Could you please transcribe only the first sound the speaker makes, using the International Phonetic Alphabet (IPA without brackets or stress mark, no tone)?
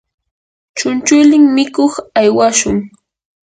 t͡ʃ